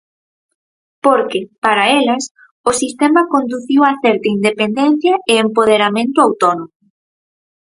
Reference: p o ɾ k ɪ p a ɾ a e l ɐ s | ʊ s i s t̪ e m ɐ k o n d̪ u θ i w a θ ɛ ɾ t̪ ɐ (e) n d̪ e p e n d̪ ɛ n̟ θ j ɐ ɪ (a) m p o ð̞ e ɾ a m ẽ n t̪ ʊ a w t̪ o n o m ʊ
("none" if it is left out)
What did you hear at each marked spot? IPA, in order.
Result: i, e

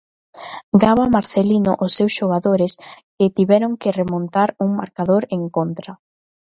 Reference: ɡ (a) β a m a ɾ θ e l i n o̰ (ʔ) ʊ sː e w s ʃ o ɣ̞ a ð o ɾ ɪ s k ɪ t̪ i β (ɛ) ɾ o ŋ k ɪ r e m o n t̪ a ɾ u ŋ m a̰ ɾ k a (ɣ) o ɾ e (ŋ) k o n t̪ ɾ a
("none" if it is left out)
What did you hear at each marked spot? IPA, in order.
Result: a, ʔ, ɛ, ð, ŋ

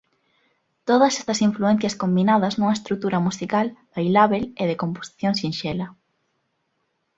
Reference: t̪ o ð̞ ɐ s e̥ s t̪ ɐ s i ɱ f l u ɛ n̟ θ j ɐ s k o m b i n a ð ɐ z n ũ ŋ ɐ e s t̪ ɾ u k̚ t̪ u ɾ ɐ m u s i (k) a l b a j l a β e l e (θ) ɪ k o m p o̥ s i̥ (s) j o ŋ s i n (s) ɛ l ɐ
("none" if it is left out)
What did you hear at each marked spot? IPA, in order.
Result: k, ð, θ, ʃ

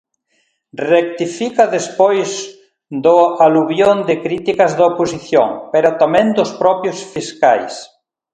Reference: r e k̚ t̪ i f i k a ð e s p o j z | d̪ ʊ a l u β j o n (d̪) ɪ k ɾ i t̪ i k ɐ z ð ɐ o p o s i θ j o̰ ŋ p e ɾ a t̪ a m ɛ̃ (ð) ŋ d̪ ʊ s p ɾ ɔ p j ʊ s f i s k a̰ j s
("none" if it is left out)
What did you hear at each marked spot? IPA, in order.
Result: d̪, none

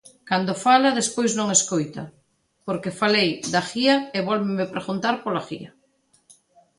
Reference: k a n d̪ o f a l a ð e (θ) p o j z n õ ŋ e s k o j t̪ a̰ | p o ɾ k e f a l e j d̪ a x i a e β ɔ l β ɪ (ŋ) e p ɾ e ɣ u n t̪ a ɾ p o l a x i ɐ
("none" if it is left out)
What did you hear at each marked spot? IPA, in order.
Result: s, m

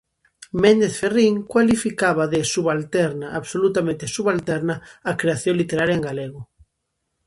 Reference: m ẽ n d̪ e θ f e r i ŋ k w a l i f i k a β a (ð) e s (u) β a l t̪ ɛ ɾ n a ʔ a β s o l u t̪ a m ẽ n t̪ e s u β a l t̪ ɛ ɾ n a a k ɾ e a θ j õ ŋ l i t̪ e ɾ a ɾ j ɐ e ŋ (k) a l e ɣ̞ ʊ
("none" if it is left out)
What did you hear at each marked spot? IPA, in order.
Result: ð, u, ɡ

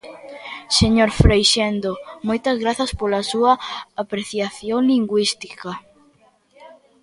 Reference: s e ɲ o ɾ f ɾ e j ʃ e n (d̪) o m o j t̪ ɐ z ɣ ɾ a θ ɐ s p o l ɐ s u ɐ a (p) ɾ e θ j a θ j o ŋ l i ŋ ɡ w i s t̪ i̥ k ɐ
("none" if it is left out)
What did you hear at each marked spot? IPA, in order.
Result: d̪, p

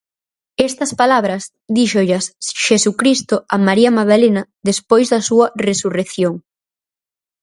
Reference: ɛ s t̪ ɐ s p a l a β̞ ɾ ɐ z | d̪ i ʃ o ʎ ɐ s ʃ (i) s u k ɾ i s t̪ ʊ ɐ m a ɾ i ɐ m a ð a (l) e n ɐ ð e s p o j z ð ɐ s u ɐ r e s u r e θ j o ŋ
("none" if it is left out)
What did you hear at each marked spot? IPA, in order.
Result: e, l

